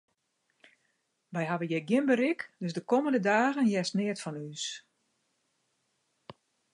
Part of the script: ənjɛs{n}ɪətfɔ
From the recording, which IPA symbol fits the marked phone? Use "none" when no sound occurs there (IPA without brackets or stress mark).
n